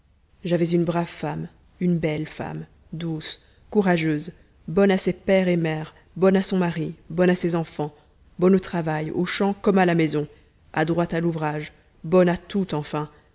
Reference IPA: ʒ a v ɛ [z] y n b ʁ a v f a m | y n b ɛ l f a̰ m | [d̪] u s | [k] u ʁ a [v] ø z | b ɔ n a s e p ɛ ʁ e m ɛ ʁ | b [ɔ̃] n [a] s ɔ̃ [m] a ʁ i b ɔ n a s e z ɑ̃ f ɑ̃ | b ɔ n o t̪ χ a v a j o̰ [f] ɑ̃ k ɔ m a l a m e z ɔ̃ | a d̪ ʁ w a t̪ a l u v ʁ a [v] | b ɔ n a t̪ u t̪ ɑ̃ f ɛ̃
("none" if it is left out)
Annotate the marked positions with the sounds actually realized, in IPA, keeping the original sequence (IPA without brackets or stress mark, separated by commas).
z, d̪, k, ʒ, ɔ, a, m, ʃ, ʒ